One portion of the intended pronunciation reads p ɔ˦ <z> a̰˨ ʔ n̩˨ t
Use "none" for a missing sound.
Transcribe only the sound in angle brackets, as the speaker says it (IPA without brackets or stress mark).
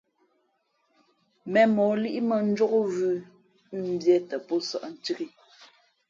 s